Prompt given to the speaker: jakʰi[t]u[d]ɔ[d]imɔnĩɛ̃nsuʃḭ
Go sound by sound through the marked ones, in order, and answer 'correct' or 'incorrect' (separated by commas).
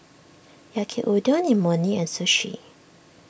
incorrect, correct, incorrect